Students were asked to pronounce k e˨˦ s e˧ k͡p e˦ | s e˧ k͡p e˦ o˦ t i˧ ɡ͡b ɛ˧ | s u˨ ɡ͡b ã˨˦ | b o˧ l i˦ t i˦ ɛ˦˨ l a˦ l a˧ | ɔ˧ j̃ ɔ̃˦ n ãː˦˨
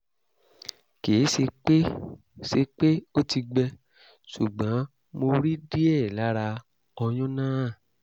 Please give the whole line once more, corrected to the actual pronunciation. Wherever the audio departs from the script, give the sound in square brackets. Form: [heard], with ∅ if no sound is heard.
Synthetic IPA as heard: k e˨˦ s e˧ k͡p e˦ | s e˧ k͡p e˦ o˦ t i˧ ɡ͡b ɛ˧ | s u˨ ɡ͡b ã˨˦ | [m] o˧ [ɾ] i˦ [d] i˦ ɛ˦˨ l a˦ [ɾ] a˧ | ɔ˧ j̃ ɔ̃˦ n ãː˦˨